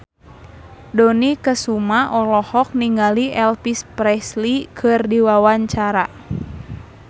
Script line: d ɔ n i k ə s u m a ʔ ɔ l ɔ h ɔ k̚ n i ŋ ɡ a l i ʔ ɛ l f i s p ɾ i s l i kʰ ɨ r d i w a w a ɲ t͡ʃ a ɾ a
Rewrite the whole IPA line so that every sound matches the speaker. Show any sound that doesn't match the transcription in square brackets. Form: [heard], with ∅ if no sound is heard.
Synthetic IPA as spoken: d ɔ n i k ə s u m a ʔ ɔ l ɔ h ɔ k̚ n i ŋ ɡ a l i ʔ ɛ l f i s p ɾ [ɛ] s l i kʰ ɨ r d i w a w a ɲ t͡ʃ a ɾ a